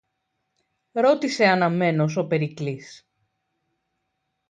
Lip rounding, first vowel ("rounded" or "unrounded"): rounded